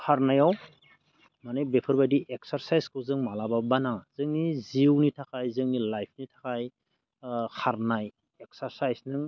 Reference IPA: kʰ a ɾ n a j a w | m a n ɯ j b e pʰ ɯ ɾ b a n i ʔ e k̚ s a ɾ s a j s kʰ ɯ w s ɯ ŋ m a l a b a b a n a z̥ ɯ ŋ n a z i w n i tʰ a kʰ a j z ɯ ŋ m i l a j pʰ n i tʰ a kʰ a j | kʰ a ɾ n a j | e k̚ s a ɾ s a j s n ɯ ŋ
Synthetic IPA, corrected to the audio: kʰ a ɾ n a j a w | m a n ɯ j b e pʰ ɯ ɾ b a d i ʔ e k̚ s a ɾ s a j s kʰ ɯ w z ɯ ŋ m a l a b a b a n a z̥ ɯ ŋ n i z i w n i tʰ a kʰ a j z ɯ ŋ n i l a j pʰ n i tʰ a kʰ a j | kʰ a ɾ n a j | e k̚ s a ɾ s a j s n ɯ ŋ